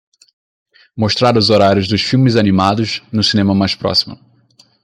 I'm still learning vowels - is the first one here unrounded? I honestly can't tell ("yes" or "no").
no